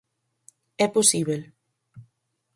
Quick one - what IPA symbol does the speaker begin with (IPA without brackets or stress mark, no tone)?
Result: ɛ